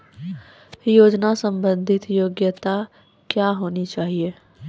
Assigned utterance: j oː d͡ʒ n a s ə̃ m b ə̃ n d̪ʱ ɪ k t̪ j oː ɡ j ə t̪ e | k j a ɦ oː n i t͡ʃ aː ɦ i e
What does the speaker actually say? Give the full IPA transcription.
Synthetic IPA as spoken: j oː d͡ʒ n a s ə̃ m b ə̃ n d̪ʱ ɪ t̪ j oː ɡ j ə t̪ a | k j a ɦ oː n i t͡ʃ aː ɦ i e